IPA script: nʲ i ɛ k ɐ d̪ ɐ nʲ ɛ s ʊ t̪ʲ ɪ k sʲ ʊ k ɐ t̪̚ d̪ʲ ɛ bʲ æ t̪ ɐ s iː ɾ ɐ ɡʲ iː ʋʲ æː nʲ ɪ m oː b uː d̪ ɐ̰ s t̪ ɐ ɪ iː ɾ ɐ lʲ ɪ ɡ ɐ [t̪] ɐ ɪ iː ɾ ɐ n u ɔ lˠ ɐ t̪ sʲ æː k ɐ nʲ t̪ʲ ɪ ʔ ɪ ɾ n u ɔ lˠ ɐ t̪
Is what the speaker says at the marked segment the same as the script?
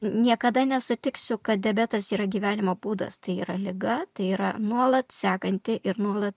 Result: yes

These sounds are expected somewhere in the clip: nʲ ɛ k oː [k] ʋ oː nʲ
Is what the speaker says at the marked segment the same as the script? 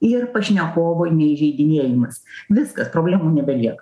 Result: no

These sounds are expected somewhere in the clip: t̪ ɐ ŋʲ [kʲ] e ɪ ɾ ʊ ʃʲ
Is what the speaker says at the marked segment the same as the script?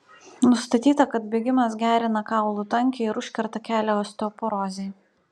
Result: yes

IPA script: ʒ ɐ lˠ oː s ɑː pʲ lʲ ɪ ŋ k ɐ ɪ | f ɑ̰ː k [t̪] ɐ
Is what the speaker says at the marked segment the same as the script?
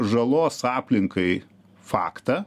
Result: yes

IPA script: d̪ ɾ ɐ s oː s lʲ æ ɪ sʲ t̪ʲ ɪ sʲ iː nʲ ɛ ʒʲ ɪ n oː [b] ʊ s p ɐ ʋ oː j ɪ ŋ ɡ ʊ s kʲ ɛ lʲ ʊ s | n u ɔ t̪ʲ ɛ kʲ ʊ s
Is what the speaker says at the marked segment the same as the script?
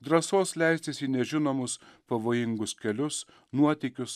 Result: no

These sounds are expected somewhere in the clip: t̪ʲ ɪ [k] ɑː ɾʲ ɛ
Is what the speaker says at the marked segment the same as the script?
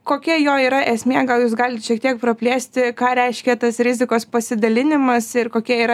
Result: yes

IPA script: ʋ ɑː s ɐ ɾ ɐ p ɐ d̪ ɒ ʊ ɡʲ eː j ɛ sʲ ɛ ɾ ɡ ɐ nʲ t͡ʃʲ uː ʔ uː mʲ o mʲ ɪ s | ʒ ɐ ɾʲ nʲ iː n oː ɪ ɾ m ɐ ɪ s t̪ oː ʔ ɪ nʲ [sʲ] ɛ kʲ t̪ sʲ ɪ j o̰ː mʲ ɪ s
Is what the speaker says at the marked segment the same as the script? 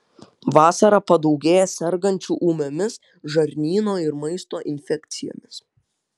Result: no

